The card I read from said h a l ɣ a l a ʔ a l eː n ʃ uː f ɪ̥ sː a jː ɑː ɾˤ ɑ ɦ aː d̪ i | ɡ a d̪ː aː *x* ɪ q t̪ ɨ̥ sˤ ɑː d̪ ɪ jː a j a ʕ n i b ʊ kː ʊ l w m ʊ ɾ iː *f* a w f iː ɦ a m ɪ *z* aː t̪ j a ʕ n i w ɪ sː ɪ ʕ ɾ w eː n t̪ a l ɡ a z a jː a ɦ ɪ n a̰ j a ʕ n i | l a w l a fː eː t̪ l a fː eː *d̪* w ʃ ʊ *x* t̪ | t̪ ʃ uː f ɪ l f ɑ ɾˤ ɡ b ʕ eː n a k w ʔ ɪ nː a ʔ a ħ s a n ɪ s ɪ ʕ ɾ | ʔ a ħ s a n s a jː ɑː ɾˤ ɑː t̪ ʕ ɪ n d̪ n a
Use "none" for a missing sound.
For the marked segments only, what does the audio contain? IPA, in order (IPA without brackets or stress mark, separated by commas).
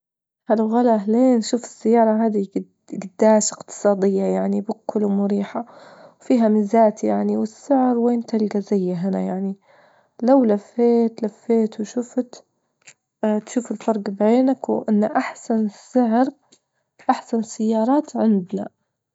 ʃ, ħ, z, t̪, f